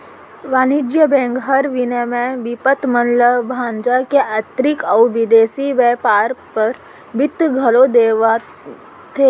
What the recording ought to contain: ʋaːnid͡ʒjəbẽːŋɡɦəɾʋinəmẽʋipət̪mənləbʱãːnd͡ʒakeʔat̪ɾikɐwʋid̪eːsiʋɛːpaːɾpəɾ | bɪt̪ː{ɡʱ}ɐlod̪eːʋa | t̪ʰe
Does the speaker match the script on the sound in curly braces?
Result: yes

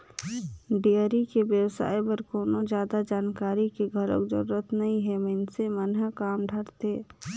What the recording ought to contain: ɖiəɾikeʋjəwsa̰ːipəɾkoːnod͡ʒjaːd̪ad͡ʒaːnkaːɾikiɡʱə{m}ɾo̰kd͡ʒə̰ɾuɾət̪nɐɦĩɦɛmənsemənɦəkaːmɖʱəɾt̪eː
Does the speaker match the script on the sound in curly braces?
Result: no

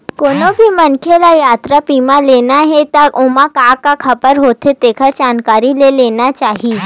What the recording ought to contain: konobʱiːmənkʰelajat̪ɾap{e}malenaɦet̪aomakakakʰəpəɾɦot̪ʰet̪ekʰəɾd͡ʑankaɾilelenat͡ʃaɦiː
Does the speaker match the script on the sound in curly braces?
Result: no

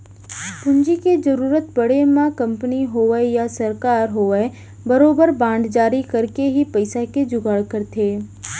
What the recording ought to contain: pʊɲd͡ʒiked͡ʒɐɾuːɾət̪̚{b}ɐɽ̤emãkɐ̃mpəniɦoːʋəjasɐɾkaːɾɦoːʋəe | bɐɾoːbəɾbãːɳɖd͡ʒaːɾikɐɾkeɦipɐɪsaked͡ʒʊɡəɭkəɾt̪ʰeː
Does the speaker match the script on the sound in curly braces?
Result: yes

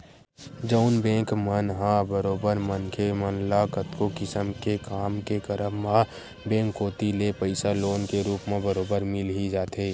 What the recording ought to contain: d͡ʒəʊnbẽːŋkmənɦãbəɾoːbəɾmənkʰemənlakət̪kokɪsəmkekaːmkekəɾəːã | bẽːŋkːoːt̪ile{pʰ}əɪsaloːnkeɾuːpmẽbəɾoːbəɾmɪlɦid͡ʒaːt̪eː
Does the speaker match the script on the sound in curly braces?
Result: no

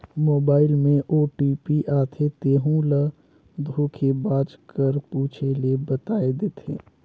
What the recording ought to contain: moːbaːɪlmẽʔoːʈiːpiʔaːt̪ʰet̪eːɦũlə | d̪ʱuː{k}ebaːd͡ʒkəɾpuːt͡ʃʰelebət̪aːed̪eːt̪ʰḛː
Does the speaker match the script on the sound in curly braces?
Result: no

